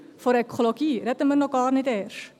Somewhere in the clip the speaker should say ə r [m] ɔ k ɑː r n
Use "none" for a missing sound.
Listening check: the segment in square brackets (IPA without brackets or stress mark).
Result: n